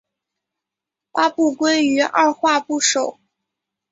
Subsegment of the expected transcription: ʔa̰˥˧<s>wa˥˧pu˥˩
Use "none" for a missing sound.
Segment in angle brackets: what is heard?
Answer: x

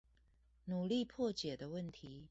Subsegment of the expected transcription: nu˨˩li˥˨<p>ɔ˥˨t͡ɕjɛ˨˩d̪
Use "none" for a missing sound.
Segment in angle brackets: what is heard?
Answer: pʰ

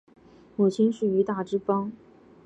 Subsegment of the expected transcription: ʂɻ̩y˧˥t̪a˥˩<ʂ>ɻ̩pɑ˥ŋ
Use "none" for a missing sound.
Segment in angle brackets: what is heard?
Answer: ʈ͡ʂ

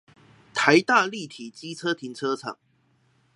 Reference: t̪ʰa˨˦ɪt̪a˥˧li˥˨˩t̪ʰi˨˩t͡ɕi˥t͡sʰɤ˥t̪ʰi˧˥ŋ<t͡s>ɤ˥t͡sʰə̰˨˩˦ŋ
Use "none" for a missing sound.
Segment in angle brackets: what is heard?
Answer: t͡sʰ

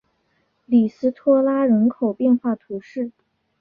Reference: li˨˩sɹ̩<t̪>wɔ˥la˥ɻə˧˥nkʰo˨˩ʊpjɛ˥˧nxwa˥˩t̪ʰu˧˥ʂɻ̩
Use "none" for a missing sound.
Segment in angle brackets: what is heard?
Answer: t̪ʰ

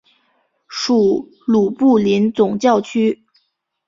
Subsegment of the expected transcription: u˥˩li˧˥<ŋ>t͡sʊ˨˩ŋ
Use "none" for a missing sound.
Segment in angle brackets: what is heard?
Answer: n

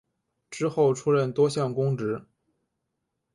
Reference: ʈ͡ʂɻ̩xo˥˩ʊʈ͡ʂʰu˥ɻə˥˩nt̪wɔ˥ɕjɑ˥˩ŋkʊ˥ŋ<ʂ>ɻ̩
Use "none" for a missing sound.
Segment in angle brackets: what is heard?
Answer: ʈ͡ʂ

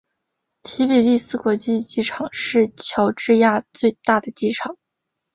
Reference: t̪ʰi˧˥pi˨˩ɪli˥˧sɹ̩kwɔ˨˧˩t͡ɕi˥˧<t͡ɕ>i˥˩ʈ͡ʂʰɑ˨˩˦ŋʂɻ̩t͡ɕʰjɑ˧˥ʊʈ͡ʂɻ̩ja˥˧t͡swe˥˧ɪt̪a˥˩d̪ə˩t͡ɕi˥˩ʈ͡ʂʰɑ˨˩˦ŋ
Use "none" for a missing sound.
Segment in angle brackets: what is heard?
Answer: t͡ɕ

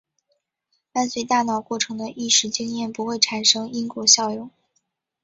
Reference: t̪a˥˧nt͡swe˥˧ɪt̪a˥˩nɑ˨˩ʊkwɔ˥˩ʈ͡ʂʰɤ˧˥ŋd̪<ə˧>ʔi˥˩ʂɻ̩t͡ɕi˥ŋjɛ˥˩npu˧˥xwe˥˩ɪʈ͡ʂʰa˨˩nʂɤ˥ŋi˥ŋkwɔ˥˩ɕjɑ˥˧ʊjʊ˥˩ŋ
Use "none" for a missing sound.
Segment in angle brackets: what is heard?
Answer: ə˧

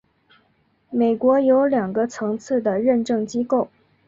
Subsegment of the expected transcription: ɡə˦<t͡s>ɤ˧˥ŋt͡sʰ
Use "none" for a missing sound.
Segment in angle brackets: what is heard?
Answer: t͡sʰ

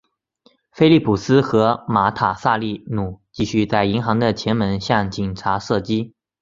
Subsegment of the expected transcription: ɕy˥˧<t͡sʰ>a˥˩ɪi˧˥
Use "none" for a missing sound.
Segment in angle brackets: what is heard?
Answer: t͡s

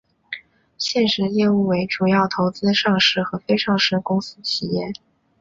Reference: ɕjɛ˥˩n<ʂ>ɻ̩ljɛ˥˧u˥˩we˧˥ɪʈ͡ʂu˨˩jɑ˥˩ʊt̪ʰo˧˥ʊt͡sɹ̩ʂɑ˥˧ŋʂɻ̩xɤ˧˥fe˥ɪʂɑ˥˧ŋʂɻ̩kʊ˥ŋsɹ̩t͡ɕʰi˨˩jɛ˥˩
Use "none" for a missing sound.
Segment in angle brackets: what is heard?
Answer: ʂ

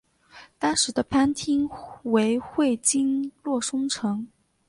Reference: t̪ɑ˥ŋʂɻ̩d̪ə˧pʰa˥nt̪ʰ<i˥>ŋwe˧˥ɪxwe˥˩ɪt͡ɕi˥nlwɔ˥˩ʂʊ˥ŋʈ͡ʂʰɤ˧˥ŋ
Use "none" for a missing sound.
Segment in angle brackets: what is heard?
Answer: i˥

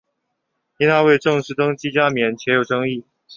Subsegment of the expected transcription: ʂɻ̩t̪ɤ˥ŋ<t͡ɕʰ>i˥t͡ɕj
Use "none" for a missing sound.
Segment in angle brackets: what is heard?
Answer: t͡ɕ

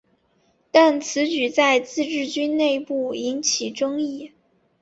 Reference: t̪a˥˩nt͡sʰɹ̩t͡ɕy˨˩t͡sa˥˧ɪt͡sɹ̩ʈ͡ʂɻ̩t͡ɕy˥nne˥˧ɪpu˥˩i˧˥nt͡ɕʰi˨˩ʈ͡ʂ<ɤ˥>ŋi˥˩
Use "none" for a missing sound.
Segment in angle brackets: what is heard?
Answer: ɤ˥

